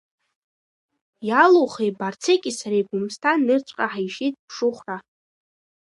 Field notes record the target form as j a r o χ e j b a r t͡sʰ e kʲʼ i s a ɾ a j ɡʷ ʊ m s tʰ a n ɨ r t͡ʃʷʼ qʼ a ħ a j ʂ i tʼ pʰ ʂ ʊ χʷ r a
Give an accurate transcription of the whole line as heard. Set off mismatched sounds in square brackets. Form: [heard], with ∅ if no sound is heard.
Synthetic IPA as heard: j a [l] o χ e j b a r t͡sʰ e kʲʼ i s a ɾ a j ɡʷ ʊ m s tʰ a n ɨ r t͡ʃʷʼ qʼ a ħ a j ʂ i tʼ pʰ ʂ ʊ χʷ r a